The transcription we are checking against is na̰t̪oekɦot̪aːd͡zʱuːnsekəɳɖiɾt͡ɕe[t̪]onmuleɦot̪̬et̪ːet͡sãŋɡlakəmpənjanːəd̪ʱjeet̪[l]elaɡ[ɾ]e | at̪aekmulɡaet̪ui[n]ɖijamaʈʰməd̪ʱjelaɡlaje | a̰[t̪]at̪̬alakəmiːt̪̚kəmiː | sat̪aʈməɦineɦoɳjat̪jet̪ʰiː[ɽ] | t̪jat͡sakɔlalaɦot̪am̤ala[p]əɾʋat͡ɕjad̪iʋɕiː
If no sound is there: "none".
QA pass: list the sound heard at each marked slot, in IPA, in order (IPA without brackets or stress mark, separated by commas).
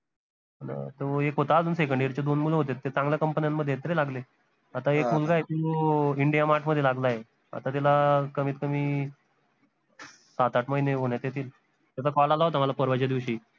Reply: d̪, ɾ, l, ɳ, t̪, l, p